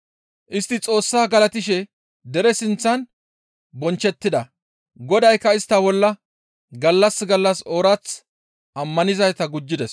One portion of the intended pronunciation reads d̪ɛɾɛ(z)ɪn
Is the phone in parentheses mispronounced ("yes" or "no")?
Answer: yes